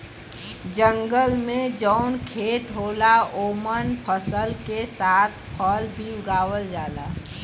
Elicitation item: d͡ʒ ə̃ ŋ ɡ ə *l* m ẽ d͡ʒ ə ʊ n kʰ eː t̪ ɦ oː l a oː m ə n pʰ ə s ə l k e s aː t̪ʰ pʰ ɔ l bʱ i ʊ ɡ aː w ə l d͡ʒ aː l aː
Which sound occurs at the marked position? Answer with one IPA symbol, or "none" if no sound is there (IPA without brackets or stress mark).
l